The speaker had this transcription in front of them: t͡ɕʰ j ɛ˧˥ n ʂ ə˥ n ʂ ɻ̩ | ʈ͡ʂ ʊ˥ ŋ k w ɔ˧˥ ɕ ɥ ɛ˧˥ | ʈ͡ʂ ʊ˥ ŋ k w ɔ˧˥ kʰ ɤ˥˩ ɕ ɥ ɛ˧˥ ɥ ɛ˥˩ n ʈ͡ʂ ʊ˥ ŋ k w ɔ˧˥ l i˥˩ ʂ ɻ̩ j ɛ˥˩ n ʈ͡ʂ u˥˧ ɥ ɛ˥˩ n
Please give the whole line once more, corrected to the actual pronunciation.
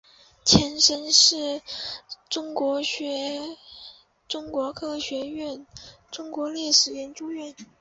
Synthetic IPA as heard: t͡ɕʰ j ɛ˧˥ n ʂ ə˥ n ʂ ɻ̩ | ʈ͡ʂ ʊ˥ ŋ k w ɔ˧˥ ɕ ɥ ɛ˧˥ | ʈ͡ʂ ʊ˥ ŋ k w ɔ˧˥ kʰ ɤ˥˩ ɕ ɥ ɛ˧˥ ɥ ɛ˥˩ n ʈ͡ʂ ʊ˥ ŋ k w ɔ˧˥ l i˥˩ ʂ ɻ̩ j ɛ˧˥ n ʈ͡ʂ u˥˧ ɥ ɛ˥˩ n

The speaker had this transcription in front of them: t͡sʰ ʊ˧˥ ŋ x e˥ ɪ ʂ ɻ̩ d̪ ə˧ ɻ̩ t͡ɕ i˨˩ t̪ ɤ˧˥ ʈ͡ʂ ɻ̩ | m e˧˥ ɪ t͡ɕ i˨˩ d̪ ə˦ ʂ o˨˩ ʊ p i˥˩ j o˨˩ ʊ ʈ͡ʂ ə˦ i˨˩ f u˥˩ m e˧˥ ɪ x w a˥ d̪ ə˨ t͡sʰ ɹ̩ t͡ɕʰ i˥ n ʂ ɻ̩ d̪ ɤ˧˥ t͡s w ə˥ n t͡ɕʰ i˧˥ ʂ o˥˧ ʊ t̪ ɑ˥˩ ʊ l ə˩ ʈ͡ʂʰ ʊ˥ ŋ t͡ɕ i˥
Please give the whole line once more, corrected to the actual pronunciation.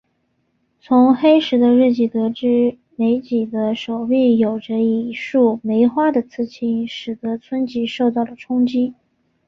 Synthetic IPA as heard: t͡sʰ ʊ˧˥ ŋ x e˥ ɪ ʂ ɻ̩ d̪ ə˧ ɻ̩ t͡ɕ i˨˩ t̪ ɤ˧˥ ʈ͡ʂ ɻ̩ | m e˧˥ ɪ t͡ɕ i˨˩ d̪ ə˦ ʂ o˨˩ ʊ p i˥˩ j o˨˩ ʊ ʈ͡ʂ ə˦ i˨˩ ʂ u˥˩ m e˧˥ ɪ x w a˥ d̪ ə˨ t͡sʰ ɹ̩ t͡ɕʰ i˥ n ʂ ɻ̩ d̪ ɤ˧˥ t͡sʰ w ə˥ n t͡ɕ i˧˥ ʂ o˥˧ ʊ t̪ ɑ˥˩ ʊ l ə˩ ʈ͡ʂʰ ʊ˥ ŋ t͡ɕ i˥

